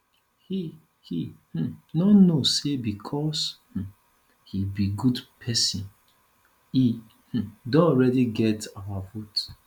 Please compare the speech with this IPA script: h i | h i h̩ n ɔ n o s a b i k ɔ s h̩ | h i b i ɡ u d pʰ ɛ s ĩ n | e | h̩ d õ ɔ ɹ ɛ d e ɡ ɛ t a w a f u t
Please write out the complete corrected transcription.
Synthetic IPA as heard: h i | h i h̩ n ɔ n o s e b i kʰ ɔ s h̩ | h i b i ɡ u d pʰ ɛ s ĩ n | i | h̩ d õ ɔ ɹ ɛ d i ɡ ɛ t a w a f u t